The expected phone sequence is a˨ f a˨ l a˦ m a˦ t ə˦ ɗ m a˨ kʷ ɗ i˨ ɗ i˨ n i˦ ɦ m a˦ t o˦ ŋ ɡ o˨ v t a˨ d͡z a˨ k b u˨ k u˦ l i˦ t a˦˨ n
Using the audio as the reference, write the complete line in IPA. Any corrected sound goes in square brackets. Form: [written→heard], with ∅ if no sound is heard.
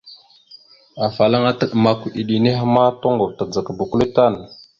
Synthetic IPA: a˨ f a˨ l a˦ [m→ŋ] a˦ t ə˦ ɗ m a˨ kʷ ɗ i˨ ɗ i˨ n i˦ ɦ m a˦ t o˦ ŋ ɡ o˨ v t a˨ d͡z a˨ k b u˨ k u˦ l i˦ t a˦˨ n